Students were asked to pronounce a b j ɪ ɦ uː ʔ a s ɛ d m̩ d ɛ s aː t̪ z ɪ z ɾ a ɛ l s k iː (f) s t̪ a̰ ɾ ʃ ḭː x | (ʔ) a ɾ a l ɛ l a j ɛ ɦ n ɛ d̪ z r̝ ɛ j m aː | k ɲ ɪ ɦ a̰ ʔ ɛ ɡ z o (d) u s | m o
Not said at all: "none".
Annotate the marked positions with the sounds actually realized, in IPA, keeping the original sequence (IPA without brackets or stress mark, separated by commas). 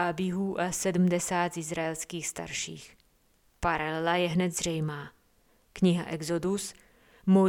x, p, d